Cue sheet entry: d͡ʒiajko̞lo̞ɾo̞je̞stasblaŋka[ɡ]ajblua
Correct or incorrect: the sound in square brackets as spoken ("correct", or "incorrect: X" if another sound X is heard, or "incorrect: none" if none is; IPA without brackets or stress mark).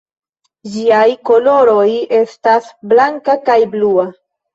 incorrect: k